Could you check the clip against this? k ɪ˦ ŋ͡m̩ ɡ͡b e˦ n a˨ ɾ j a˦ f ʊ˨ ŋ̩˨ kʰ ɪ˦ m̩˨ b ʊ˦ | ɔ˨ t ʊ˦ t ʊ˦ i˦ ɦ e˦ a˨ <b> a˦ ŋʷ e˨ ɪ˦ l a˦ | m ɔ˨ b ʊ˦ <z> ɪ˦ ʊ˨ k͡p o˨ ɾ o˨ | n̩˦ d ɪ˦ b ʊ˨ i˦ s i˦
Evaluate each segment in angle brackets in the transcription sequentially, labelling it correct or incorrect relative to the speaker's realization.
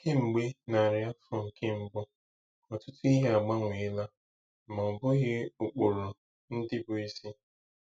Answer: incorrect, incorrect

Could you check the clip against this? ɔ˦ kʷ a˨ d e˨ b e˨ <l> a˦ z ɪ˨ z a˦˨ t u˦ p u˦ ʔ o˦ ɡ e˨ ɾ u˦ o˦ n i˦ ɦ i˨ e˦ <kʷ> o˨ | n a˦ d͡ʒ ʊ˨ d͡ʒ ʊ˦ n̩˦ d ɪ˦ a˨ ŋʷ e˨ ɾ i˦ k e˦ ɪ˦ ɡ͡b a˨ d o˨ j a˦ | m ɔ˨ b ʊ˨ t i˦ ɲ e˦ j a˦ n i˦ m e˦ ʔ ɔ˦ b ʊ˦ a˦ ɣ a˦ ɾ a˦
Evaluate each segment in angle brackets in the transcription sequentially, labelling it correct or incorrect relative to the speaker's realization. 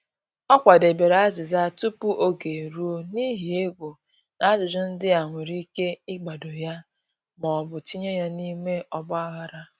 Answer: incorrect, incorrect

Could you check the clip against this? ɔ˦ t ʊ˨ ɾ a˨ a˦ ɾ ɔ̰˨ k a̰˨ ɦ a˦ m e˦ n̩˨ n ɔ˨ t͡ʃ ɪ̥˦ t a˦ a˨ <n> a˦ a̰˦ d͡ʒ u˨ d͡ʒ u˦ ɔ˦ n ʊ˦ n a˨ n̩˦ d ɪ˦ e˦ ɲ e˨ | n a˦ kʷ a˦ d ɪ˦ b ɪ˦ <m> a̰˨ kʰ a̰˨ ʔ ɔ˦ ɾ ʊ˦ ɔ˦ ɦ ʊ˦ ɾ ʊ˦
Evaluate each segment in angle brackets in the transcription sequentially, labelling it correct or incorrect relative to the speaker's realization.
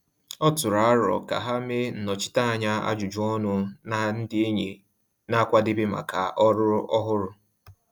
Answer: incorrect, correct

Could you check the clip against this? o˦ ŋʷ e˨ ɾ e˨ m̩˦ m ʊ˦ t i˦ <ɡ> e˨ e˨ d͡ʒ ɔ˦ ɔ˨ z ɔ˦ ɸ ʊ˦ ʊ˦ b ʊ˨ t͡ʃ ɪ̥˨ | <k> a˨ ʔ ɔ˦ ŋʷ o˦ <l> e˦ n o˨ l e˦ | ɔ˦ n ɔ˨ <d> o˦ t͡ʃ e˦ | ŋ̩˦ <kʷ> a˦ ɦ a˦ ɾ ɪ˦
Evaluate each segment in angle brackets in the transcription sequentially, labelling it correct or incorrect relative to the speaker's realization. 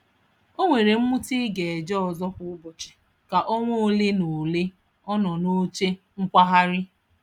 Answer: correct, correct, correct, incorrect, correct

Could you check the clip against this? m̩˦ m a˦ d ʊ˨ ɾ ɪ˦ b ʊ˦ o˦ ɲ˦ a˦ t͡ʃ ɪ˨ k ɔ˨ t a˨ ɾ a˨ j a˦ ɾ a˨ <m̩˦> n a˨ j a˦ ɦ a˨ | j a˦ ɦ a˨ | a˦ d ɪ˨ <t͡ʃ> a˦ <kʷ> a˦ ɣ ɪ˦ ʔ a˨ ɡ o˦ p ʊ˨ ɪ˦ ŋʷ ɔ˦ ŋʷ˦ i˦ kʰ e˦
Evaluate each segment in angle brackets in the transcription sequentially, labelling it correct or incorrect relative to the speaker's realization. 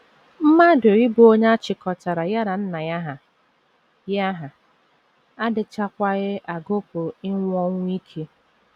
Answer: incorrect, correct, correct

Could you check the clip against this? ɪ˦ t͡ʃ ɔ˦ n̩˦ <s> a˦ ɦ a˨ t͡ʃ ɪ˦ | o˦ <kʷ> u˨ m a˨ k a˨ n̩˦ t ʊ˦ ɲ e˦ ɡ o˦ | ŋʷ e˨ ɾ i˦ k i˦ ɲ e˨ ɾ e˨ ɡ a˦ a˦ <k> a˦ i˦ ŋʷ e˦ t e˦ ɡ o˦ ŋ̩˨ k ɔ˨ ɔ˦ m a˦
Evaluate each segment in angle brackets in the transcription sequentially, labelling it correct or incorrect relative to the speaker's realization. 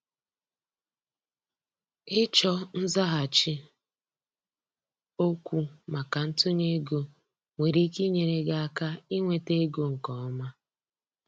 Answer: incorrect, correct, correct

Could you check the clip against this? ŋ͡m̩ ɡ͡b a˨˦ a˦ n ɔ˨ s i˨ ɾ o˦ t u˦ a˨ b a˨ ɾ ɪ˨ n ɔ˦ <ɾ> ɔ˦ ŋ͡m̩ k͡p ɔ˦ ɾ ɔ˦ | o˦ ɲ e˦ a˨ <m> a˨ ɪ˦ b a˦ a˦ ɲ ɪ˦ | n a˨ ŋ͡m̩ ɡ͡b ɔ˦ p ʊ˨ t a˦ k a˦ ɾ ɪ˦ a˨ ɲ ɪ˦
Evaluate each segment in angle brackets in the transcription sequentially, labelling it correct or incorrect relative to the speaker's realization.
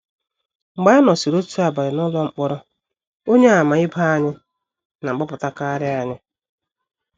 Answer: incorrect, correct

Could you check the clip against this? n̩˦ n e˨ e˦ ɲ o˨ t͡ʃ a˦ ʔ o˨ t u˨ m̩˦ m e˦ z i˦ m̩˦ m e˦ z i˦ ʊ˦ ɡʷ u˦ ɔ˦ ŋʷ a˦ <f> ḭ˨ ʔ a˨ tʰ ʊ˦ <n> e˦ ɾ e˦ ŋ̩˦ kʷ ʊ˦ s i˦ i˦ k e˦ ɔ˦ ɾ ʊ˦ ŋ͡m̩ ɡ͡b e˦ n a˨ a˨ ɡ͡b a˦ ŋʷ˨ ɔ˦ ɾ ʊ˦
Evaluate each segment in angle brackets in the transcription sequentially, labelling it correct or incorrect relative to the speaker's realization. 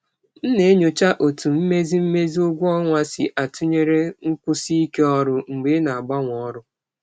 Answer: incorrect, incorrect

